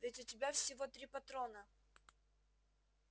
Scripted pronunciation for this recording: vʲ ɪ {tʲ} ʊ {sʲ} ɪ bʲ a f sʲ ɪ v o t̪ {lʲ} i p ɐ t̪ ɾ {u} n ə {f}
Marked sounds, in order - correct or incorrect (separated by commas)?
correct, incorrect, incorrect, incorrect, incorrect